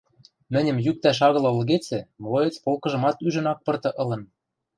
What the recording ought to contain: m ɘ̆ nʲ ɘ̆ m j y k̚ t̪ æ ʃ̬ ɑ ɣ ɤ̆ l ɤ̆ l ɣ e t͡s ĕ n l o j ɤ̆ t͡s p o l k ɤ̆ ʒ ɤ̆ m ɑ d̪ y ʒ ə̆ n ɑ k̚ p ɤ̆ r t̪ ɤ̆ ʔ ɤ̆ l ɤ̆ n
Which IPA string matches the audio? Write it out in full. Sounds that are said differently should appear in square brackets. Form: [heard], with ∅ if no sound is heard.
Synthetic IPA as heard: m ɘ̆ nʲ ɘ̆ m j y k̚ t̪ æ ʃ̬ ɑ ɣ ɤ̆ l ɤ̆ l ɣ e t͡s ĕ [m] l o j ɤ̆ t͡s p o l k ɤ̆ ʒ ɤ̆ m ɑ [t̪] y ʒ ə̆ n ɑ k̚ p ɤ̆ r t̪ ɤ̆ ʔ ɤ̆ l ɤ̆ n